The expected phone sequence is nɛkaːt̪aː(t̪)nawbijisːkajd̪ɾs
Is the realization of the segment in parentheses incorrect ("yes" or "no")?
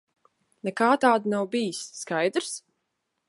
yes